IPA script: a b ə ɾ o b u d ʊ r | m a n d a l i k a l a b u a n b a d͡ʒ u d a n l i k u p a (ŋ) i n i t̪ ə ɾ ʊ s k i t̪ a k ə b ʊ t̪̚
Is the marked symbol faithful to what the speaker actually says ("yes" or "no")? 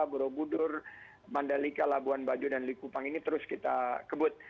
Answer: yes